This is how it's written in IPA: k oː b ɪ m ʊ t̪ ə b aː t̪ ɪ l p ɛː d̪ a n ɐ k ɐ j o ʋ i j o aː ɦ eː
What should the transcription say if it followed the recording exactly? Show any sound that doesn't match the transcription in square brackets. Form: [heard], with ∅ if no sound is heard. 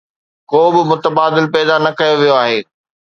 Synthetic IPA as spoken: k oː b ɪ m ʊ t̪ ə b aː [d̪] ɪ l p ɛː d̪ a n ɐ k ɐ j o ʋ i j o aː ɦ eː